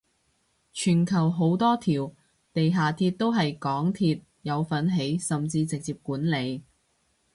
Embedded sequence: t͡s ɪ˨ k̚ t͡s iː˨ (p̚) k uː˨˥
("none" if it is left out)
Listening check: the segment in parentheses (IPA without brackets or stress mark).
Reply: p̚